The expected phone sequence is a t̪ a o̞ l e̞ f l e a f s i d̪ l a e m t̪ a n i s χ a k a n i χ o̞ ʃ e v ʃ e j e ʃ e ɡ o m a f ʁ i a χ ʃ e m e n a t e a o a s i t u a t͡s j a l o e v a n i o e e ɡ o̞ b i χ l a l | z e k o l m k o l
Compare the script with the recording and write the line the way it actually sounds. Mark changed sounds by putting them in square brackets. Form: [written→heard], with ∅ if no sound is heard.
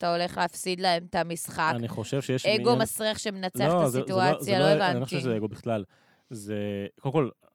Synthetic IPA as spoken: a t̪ a o̞ l e̞ [f→χ] l e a f s i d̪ l a e m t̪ a [n→m] i s χ a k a n i χ o̞ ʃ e v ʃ e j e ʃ e ɡ o m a [f→s] ʁ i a χ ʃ e m e n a [t→t͡s] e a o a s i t u a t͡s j a l o e v a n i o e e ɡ o̞ b i χ l a l | z e k o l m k o l